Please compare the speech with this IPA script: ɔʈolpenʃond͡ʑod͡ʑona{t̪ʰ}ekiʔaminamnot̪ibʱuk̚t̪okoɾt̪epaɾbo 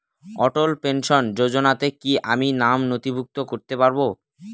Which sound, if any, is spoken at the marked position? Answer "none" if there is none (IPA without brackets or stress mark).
t̪